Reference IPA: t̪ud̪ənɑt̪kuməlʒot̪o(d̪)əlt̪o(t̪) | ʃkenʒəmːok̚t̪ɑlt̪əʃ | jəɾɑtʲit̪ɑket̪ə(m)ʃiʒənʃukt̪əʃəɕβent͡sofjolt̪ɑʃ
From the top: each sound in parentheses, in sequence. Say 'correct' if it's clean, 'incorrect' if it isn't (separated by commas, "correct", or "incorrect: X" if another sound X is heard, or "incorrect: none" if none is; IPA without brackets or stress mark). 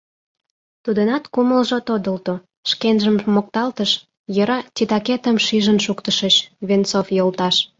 correct, incorrect: none, correct